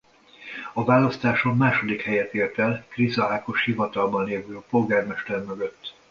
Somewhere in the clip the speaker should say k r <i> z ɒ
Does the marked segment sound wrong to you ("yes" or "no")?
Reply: no